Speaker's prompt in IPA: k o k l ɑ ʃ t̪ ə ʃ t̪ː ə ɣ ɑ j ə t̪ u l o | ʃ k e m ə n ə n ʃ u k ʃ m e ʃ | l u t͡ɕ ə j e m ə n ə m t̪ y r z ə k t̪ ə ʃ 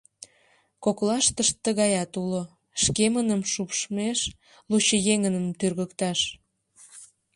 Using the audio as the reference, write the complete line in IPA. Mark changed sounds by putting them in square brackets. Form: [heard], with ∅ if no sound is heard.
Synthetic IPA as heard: k o k l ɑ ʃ t̪ ə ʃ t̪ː ə ɣ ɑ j [ɑ] t̪ u l o | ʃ k e m ə n ə [m] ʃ u [p] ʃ m e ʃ | l u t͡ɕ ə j e [ŋ] ə n ə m t̪ y r [ɣ] ə k t̪ [ɑ] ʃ